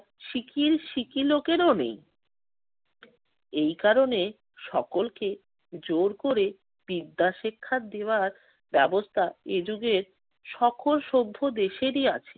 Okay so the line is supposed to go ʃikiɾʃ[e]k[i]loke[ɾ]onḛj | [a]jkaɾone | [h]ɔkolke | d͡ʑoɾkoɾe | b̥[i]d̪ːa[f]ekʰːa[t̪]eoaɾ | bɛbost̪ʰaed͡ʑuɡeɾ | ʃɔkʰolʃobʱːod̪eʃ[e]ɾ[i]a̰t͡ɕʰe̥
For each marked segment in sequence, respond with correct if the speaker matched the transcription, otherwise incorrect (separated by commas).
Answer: incorrect, correct, correct, incorrect, incorrect, correct, incorrect, incorrect, correct, correct